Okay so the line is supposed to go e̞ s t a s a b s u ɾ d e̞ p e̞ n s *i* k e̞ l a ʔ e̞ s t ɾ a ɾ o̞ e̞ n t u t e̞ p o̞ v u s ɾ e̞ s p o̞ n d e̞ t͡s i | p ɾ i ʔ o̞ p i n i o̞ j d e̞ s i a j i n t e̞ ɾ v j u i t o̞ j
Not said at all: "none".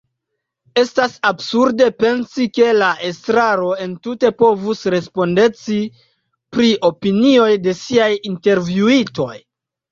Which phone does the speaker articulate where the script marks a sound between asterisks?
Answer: i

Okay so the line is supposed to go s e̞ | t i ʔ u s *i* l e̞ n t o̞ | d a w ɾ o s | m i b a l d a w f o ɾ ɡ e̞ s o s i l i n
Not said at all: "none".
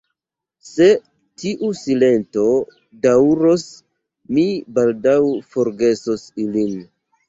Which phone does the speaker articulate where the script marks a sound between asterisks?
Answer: i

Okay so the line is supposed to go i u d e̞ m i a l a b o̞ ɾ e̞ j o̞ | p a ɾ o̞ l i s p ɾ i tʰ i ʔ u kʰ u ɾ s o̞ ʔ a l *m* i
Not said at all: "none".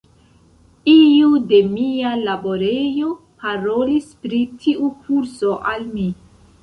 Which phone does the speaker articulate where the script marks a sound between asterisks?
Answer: m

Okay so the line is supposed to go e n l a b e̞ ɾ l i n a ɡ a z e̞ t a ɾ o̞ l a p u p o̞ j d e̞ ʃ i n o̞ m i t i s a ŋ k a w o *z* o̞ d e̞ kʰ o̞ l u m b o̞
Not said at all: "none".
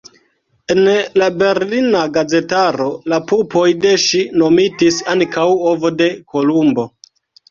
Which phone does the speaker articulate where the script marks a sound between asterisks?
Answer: v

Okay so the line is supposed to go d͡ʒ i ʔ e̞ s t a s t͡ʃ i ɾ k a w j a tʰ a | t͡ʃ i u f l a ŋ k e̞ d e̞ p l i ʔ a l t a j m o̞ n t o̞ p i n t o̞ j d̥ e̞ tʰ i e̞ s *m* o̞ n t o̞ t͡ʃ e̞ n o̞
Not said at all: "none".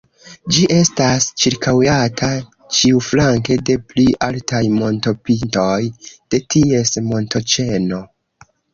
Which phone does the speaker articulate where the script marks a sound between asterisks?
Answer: m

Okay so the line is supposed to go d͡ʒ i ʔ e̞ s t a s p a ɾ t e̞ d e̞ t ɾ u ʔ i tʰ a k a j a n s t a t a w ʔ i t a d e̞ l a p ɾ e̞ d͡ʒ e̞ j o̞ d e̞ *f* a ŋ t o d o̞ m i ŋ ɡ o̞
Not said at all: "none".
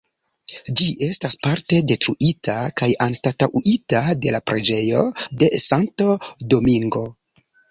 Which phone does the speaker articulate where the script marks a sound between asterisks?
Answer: s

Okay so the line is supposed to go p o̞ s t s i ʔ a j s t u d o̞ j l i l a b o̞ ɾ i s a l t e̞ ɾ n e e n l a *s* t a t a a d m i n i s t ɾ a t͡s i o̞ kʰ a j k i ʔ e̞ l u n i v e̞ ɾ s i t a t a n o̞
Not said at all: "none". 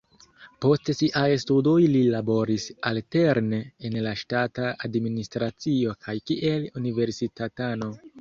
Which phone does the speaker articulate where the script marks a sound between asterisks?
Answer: ʃ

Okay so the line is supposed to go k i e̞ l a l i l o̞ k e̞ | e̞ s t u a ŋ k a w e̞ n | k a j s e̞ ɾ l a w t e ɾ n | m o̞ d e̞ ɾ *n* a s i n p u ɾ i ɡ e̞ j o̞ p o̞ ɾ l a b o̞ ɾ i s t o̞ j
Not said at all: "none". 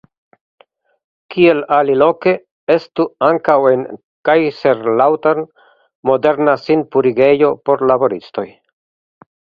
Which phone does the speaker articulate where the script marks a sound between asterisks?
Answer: n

